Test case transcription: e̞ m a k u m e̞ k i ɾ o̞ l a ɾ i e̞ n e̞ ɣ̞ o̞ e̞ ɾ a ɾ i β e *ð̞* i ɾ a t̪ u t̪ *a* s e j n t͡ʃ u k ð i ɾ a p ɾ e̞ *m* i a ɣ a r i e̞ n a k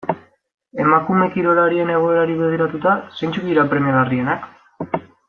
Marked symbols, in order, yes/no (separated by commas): yes, yes, yes